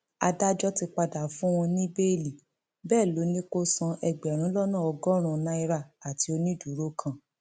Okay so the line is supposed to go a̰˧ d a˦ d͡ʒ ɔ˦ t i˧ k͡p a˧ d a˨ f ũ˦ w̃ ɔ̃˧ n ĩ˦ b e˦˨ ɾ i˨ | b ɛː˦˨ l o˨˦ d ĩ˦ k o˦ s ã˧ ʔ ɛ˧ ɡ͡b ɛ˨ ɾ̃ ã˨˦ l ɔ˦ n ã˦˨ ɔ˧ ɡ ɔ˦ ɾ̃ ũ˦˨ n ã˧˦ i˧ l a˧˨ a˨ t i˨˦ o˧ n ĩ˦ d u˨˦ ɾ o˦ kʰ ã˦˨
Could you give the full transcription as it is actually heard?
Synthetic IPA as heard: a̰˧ d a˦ d͡ʒ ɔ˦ t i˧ k͡p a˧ d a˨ f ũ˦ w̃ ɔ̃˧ n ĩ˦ b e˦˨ l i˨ | b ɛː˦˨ l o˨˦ n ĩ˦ k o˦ s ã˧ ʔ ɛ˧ ɡ͡b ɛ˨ ɾ̃ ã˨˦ l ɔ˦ n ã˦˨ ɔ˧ ɡ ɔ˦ ɾ̃ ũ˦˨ n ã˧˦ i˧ ɾ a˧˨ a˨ t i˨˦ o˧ n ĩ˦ d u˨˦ ɾ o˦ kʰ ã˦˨